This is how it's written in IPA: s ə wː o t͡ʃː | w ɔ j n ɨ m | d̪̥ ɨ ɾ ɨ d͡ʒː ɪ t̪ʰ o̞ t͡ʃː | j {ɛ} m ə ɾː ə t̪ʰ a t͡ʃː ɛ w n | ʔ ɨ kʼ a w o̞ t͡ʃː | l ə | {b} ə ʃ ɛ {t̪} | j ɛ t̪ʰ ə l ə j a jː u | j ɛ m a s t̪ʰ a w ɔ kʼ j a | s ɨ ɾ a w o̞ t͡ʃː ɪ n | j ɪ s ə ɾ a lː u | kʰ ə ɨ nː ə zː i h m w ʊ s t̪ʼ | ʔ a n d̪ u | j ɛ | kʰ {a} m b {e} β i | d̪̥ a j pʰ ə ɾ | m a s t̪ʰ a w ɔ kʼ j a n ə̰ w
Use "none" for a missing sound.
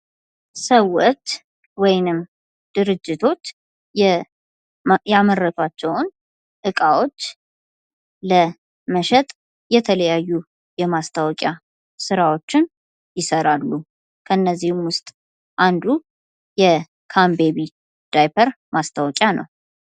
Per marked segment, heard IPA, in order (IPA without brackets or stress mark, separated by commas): a, m, t̪ʼ, a, e